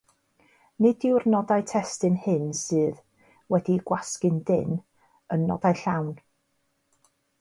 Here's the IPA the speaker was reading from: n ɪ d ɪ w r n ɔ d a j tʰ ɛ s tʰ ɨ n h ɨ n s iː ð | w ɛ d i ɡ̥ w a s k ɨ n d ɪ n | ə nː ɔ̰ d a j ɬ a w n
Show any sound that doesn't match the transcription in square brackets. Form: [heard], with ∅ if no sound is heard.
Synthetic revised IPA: n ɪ d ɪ w r n ɔ d a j tʰ ɛ s [t] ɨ n h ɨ n s [ɨː] ð | w ɛ d i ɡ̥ w a s k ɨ n d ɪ n | ə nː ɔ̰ d a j ɬ a w n